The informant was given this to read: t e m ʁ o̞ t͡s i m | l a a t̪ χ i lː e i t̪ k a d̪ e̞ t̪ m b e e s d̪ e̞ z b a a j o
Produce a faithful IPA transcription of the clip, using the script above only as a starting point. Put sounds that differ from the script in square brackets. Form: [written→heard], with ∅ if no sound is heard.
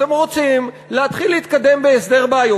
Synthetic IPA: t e m ʁ o̞ t͡s i m | l [a→e] a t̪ χ i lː e i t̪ k a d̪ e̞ [t̪→∅] m b e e s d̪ e̞ [z→ʁ] b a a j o